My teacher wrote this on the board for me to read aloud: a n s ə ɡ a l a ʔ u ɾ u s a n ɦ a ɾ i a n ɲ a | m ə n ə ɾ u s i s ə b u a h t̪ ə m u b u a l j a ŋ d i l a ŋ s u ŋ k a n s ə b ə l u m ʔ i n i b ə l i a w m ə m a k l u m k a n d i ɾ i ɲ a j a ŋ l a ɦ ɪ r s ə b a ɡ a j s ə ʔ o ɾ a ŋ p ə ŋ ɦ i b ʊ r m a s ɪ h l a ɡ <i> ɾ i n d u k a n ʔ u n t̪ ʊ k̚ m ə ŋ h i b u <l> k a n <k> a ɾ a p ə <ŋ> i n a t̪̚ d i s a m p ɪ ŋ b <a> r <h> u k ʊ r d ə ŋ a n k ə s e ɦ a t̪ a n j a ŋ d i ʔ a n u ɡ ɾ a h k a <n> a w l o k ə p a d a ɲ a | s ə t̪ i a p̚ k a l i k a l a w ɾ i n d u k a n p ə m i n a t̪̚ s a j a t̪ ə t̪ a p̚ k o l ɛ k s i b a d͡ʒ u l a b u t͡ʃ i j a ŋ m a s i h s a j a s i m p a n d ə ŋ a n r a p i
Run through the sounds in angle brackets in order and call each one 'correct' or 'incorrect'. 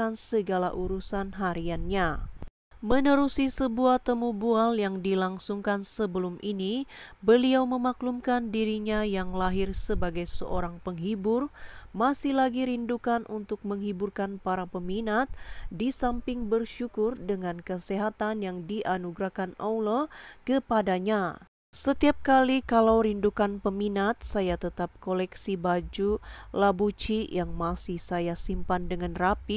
correct, incorrect: r, incorrect: p, incorrect: m, incorrect: ə, incorrect: ʃ, correct

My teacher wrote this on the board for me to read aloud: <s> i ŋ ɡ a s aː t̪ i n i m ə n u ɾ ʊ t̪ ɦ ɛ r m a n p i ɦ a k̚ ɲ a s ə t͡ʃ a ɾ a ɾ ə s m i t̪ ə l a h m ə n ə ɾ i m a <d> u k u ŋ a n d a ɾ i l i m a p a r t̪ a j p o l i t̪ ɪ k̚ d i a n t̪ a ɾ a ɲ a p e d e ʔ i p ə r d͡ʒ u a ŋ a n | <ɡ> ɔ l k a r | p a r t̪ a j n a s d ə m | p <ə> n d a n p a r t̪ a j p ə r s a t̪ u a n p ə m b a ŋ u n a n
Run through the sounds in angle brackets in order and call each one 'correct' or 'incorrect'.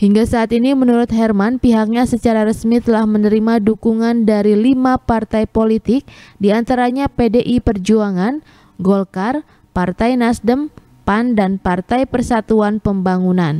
incorrect: h, correct, correct, incorrect: a

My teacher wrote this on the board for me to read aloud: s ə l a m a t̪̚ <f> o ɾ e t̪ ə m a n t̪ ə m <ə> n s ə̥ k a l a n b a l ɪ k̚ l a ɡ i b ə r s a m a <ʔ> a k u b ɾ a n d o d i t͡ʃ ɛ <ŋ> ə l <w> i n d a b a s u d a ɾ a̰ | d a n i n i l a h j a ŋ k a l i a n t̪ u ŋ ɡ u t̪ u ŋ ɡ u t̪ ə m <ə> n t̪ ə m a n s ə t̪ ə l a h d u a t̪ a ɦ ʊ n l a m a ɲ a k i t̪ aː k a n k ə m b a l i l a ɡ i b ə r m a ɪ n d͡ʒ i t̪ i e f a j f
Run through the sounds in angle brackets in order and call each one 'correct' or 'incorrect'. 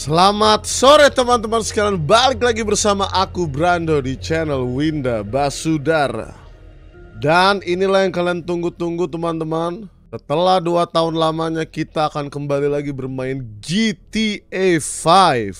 incorrect: s, incorrect: a, correct, incorrect: n, correct, incorrect: a

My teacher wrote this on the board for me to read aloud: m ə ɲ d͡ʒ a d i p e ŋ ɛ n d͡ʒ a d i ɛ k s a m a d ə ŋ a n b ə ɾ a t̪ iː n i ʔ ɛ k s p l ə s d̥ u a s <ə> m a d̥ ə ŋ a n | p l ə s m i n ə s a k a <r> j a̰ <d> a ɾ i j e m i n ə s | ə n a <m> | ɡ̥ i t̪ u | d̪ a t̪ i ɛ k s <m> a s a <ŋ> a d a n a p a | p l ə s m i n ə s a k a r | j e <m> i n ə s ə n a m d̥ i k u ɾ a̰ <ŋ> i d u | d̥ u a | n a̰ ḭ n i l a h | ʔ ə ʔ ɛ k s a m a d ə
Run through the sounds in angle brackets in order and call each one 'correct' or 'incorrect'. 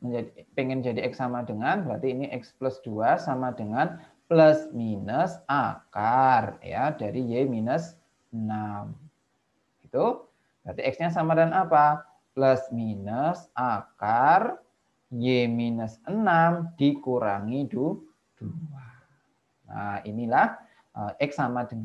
incorrect: a, correct, correct, correct, incorrect: ɲ, incorrect: m, correct, correct

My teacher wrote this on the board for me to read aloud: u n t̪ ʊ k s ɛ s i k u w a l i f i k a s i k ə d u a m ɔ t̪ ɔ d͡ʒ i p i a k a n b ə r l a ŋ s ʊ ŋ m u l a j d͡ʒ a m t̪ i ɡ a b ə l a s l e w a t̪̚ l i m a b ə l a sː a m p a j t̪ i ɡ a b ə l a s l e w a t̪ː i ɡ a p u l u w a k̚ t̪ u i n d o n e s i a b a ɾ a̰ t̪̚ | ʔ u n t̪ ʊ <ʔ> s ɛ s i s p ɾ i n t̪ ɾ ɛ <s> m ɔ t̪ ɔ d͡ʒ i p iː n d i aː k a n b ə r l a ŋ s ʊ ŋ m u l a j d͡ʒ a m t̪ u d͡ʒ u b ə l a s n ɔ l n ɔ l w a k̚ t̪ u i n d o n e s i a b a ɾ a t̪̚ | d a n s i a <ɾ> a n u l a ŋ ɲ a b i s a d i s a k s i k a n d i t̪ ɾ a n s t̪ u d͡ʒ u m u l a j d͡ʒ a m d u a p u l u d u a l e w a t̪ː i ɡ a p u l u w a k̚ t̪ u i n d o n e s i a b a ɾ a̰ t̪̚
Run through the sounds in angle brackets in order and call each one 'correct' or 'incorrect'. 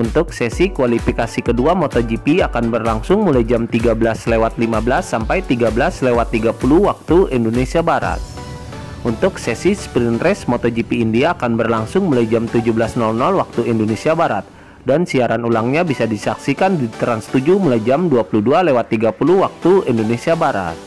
incorrect: k, correct, correct

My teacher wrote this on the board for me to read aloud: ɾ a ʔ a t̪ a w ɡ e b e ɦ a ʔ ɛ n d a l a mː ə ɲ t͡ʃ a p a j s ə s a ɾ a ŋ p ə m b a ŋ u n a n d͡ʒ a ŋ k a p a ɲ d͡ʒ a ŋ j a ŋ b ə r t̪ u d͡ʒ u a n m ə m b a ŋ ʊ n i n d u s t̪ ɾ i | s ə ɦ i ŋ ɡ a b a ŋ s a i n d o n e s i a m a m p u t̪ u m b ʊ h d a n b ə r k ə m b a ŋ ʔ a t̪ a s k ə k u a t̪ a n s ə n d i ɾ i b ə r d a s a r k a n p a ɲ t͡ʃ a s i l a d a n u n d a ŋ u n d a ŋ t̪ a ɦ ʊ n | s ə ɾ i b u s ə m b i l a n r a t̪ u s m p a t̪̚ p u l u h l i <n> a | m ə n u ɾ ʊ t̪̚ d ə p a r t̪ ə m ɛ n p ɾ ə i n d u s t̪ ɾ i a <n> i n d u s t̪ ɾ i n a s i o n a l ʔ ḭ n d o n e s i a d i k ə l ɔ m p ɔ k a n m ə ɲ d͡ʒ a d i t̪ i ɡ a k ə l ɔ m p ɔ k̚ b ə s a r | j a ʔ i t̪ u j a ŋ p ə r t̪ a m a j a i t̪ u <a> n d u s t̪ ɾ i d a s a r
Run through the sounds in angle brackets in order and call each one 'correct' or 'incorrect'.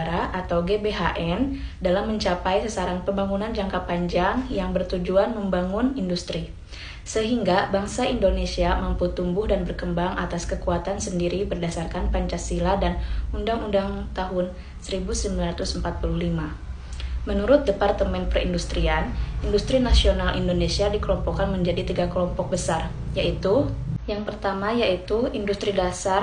incorrect: m, correct, incorrect: i

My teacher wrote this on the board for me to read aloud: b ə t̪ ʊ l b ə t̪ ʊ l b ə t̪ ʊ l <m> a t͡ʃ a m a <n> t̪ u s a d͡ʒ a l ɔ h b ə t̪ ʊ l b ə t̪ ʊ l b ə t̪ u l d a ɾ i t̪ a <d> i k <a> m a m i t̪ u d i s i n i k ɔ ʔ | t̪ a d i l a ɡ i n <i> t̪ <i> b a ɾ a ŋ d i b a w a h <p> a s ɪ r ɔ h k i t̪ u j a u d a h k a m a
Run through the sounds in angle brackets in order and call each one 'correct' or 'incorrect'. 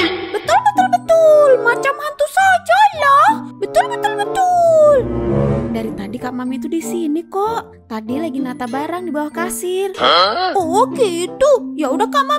correct, correct, correct, correct, incorrect: a, incorrect: a, incorrect: k

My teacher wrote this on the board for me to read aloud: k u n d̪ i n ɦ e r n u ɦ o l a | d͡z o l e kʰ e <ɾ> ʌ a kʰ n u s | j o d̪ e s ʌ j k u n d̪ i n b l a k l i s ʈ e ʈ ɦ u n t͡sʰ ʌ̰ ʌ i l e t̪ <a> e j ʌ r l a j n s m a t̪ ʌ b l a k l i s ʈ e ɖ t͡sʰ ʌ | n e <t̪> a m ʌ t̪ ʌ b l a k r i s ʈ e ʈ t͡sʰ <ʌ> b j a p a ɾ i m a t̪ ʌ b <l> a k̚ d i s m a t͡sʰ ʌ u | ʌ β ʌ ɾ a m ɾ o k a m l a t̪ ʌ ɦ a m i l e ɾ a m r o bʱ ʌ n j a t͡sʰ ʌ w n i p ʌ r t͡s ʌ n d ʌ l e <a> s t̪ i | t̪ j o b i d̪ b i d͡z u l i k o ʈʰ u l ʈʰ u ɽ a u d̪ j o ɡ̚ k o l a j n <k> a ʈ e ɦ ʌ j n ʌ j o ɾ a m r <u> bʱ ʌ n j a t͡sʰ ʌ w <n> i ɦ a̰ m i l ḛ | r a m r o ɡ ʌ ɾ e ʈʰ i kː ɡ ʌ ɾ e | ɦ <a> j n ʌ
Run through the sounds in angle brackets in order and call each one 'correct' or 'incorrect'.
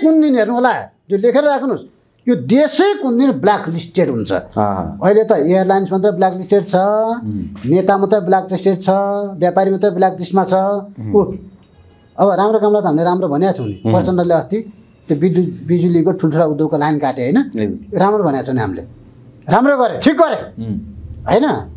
correct, incorrect: ʌ, correct, correct, correct, incorrect: ʌ, correct, incorrect: o, correct, incorrect: ʌ

